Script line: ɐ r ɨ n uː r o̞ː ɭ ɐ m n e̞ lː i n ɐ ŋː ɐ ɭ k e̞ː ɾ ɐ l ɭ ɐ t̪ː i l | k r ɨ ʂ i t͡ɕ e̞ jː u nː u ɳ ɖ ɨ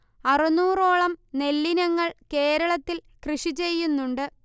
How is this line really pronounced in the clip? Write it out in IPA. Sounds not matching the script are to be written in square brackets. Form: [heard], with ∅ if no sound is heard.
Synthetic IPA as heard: ɐ r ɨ n uː r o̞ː ɭ ɐ m n e̞ lː i n ɐ ŋː ɐ ɭ k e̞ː ɾ ɐ [∅] ɭ ɐ t̪ː i l | k r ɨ ʂ i t͡ɕ e̞ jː u nː u ɳ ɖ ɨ